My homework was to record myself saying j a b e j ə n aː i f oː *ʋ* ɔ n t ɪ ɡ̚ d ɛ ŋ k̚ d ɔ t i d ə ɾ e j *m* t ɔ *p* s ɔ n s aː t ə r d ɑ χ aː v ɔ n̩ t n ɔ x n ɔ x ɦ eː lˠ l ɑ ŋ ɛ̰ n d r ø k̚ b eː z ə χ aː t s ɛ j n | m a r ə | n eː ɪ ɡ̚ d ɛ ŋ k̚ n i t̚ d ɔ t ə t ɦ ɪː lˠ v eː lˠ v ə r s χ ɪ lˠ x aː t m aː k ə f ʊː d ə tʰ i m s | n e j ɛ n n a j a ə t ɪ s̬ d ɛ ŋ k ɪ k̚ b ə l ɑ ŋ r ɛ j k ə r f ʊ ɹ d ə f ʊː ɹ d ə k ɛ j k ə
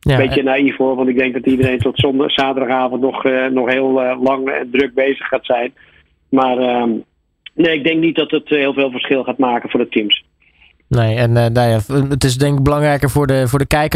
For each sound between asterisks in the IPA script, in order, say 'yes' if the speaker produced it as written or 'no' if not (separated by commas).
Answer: yes, no, no